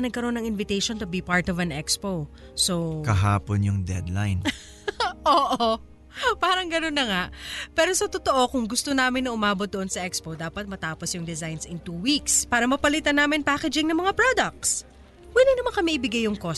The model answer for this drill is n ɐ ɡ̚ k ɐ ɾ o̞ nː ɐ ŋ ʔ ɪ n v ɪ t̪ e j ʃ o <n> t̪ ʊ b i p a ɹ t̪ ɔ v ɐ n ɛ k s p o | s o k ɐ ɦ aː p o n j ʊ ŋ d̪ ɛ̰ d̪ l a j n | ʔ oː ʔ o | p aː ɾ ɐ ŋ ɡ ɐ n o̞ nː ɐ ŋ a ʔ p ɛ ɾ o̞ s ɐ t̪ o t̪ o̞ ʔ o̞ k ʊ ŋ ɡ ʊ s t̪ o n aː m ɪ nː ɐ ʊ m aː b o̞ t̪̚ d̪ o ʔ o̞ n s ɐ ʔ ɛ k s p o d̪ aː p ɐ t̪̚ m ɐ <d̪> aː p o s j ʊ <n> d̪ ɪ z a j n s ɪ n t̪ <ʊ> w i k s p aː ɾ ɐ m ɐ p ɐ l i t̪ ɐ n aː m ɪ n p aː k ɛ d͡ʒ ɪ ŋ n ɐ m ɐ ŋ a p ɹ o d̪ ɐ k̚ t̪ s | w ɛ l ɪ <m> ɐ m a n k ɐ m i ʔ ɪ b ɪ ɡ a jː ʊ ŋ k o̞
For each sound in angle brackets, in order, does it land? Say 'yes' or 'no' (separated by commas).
yes, no, no, no, no